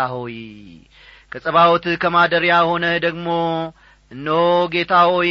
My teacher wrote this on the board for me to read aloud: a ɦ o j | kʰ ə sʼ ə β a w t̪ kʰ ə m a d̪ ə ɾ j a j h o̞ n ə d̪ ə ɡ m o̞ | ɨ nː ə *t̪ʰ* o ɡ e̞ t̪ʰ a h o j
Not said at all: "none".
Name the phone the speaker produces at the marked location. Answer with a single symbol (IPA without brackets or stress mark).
none